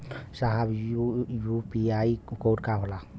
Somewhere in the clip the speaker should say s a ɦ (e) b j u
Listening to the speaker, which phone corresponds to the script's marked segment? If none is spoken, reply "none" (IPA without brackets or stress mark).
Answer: a